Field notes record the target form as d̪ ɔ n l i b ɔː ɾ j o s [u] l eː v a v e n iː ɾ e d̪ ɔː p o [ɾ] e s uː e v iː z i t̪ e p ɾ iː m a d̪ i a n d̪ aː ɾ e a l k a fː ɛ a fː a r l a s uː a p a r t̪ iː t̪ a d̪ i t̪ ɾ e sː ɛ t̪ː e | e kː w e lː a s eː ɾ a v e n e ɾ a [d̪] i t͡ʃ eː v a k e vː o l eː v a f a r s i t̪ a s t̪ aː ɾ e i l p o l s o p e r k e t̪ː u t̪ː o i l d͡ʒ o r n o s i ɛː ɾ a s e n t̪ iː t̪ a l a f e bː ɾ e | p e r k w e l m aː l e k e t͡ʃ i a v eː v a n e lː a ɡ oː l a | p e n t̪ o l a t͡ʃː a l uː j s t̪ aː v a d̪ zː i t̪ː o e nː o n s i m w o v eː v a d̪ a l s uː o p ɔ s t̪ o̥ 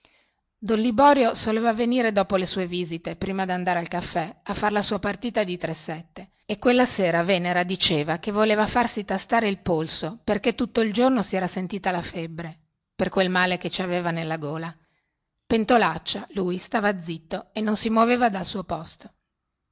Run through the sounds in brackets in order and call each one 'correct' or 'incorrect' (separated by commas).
incorrect, incorrect, correct